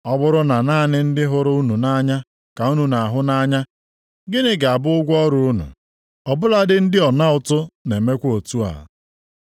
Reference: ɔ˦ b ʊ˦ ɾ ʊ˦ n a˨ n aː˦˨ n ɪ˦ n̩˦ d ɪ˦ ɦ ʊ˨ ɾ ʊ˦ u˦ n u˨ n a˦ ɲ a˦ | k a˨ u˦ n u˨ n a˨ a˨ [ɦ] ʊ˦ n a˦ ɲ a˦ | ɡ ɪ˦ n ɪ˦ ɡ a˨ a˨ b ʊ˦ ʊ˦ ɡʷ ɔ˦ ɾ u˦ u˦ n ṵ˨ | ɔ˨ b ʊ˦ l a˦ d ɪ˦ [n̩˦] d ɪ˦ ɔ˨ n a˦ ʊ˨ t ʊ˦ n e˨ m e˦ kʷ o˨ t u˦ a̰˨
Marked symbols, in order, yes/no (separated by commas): yes, yes